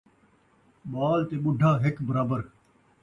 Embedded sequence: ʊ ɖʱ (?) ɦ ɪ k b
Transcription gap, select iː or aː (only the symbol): aː